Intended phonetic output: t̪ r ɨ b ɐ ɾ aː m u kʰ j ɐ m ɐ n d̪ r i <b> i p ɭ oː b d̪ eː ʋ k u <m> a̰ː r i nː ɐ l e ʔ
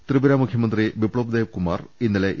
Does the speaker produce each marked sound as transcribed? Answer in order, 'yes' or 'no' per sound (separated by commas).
yes, yes